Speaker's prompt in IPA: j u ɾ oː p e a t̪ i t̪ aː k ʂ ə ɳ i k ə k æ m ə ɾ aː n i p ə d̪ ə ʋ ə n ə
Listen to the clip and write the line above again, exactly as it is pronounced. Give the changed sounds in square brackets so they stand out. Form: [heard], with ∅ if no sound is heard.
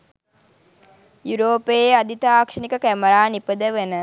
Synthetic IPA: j u ɾ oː p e a [d̪] i t̪ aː k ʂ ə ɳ i k ə k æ m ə ɾ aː n i p ə d̪ ə ʋ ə n ə